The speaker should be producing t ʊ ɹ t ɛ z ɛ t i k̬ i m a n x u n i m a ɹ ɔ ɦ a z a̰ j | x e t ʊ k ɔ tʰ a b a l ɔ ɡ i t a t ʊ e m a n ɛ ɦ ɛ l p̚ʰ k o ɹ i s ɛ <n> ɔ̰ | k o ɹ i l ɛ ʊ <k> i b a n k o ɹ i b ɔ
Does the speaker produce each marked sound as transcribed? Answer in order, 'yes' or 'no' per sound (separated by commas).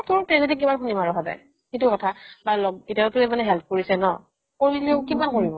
yes, yes